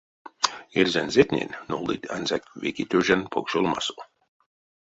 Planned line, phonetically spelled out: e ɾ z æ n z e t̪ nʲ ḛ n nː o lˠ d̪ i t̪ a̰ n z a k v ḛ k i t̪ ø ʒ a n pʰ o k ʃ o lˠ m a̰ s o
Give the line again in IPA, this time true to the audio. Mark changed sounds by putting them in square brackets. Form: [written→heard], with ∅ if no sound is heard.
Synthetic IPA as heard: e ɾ z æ n z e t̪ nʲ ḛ n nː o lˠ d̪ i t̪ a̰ n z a k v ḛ k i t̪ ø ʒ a n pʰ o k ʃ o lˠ m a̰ s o